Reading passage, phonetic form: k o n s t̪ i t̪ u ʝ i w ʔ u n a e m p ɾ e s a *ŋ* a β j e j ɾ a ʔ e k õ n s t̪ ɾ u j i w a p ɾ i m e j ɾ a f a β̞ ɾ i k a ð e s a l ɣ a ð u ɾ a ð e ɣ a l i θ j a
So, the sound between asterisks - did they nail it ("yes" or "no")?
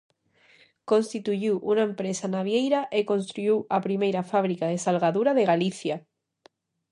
no